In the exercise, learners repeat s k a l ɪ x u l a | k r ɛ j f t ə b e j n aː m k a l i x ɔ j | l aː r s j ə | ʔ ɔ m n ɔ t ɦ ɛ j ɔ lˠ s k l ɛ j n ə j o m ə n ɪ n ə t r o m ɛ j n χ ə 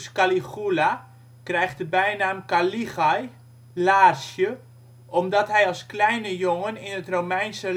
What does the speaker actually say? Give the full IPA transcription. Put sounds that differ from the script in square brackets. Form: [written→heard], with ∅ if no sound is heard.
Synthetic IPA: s k a l [ɪ→i] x u l a | k r ɛ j [f→x] t ə b [e→ɛ] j n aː m k a l i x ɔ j | l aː r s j ə | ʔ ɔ m [n→d] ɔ t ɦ ɛ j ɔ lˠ s k l ɛ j n ə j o [m→ŋ] ə n ɪ n ə t r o m ɛ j n [χ→s] ə

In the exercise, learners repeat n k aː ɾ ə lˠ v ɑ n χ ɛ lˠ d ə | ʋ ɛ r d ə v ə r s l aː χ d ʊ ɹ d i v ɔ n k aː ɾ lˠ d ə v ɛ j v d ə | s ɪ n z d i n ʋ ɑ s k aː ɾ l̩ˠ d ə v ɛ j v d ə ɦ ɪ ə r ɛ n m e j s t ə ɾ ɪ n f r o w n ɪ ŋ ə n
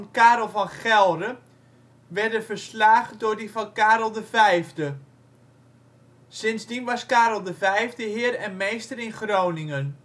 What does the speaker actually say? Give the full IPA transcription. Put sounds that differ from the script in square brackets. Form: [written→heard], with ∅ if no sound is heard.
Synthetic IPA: n k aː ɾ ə lˠ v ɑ n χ ɛ lˠ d ə | ʋ ɛ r d ə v ə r s l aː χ d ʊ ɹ d i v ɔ n k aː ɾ lˠ d ə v ɛ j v d ə | s ɪ n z d i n ʋ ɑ s k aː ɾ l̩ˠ d ə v ɛ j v d ə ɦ ɪ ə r ɛ n m e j s t ə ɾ ɪ n [f→χ] r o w n ɪ ŋ ə n

